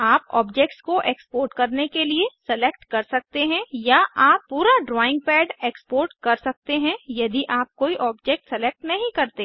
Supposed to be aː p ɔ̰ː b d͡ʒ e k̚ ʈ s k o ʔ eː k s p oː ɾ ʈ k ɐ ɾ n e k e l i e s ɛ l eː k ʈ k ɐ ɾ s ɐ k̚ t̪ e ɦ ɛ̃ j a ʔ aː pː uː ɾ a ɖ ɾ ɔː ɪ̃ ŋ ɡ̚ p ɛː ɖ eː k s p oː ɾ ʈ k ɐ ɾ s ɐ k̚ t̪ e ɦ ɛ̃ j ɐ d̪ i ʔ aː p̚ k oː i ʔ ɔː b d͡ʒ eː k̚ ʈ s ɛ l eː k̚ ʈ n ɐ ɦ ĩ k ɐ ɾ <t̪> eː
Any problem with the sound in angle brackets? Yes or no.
no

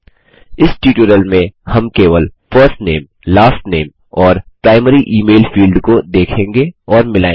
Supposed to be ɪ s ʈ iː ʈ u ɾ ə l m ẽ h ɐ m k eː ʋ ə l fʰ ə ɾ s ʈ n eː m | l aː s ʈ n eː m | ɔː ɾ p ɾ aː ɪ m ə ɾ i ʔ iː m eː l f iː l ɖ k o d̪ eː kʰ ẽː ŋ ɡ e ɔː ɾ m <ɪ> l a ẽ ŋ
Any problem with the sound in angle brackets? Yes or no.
no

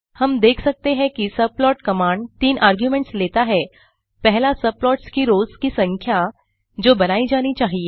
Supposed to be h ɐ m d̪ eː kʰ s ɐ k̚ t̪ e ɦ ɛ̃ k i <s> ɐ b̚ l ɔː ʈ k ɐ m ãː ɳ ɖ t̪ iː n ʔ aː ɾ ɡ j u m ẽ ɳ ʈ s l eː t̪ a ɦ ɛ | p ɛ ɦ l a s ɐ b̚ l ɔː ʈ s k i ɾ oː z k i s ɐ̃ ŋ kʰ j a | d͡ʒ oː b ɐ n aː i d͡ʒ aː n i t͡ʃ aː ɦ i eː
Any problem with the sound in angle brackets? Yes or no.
no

